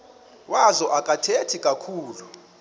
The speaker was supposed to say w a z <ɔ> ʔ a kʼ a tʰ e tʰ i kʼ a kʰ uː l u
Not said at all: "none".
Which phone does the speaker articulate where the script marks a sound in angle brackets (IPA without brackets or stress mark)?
ɔ